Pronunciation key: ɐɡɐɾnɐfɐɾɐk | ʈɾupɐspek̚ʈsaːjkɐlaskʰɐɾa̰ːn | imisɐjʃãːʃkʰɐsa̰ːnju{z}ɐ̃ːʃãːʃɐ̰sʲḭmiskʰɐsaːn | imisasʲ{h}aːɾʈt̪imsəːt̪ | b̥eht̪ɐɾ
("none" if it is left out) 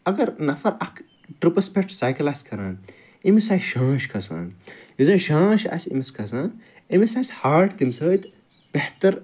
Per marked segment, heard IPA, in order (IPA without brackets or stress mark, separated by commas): z, h